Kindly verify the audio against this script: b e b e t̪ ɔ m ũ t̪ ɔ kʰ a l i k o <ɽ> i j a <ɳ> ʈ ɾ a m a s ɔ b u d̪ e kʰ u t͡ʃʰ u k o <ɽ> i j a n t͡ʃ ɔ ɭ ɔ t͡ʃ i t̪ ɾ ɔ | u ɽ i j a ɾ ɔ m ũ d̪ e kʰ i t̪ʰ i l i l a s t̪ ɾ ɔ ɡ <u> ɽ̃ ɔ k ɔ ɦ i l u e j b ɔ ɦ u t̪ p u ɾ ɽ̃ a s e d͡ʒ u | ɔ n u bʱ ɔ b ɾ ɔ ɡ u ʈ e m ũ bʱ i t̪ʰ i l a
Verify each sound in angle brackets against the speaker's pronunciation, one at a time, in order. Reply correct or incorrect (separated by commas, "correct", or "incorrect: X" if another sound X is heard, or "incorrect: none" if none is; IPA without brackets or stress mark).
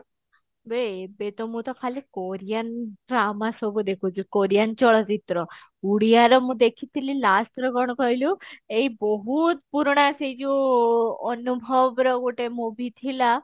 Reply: incorrect: ɾ, incorrect: n, incorrect: ɾ, incorrect: ɔ